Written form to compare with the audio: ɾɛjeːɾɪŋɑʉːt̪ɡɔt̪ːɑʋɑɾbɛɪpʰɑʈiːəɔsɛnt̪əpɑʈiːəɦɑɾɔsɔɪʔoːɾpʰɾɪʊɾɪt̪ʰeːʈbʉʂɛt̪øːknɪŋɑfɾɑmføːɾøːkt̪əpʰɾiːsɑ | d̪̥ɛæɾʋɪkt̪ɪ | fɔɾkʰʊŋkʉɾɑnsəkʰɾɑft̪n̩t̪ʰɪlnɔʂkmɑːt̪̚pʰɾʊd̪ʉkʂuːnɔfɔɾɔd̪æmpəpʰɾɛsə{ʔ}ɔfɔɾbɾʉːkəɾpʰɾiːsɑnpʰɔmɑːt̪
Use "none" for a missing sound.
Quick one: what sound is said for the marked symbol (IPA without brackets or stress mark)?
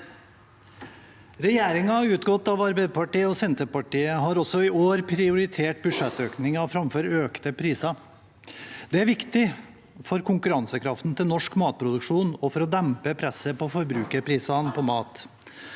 p